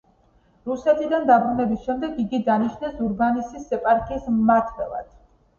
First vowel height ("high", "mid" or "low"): high